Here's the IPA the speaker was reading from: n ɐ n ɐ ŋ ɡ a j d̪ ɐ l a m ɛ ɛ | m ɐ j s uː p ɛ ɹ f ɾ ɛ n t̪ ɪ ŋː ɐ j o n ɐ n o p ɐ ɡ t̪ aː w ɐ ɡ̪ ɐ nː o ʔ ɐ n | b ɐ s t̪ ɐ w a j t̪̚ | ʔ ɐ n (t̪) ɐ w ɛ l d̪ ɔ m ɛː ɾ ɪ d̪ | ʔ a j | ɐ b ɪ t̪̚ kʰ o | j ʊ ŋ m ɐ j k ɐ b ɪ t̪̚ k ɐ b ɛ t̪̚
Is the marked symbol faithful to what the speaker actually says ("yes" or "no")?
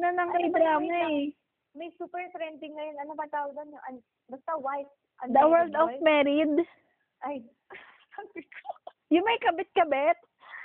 no